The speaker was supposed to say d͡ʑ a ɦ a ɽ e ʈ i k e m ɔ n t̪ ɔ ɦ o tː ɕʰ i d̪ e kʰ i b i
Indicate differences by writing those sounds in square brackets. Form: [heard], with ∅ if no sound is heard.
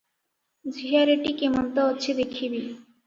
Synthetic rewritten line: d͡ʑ [i] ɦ a [ɾ] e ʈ i k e m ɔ n t̪ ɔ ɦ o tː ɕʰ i d̪ e kʰ i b i